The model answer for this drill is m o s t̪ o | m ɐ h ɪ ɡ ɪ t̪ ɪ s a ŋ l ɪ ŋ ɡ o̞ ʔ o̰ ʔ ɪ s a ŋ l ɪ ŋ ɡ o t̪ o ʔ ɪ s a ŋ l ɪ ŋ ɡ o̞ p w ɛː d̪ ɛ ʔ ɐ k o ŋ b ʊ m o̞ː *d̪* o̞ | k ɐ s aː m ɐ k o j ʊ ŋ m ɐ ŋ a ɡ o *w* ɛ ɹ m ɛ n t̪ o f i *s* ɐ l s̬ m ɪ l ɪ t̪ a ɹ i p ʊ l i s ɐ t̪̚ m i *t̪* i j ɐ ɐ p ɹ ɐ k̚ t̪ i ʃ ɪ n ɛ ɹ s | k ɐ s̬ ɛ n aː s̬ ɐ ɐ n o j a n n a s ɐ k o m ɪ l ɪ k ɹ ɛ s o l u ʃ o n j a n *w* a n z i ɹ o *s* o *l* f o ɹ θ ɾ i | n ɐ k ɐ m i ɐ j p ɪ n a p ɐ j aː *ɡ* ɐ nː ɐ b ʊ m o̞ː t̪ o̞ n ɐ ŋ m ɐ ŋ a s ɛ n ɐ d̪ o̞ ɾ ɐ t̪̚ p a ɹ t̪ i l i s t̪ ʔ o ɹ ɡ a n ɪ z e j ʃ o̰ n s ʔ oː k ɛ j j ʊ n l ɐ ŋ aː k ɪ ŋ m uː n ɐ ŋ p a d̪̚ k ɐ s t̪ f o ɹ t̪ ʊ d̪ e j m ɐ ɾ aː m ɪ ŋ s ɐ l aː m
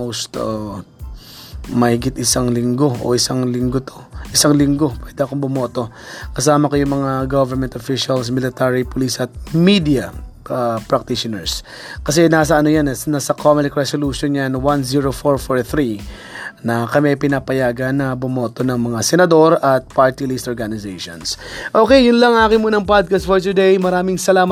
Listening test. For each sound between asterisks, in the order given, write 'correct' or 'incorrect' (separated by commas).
incorrect, incorrect, incorrect, incorrect, correct, incorrect, incorrect, correct